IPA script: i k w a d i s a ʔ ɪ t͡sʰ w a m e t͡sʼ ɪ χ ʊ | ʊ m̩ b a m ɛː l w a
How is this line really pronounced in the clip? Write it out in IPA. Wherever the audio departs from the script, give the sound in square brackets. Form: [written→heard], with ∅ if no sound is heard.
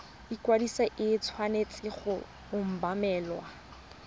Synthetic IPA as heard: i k w a d i s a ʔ ɪ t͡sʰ w a [m→n] e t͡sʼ ɪ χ ʊ | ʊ m̩ b a m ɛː l w a